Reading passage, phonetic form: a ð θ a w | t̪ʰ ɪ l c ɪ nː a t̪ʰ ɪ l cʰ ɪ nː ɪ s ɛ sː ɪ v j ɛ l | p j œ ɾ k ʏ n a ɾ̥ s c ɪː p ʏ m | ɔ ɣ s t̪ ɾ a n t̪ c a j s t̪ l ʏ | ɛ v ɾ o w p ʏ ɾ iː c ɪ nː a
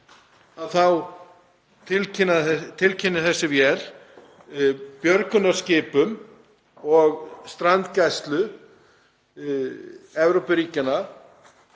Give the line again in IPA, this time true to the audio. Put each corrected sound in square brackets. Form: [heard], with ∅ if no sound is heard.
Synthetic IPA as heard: a ð θ a w | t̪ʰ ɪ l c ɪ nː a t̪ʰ ɪ l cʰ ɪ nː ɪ [θ] ɛ sː ɪ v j ɛ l | p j œ ɾ k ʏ n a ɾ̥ s c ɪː p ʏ m | ɔ ɣ s t̪ ɾ a n t̪ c a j s t̪ l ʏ | ɛ v ɾ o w p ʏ ɾ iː c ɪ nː a